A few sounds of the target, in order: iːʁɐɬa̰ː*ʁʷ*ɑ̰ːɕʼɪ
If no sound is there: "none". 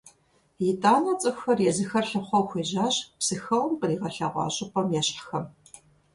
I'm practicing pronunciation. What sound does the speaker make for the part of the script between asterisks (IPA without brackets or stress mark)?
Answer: ʁʷ